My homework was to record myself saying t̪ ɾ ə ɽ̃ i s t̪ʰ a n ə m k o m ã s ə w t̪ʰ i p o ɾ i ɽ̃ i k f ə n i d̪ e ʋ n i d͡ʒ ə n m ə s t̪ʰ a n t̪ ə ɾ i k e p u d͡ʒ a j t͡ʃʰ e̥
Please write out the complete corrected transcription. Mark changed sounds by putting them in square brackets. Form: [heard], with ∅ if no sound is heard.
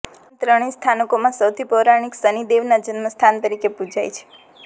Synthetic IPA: t̪ ɾ ə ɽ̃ i s t̪ʰ a n ə [∅] k o m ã s ə w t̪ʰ i p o ɾ [a] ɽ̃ i k [s] ə n i d̪ e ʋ n [a] d͡ʒ ə n m ə s t̪ʰ a n t̪ ə ɾ i k e p u d͡ʒ a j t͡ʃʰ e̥